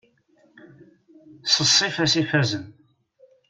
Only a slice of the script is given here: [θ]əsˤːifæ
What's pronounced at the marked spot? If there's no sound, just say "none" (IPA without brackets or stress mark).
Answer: s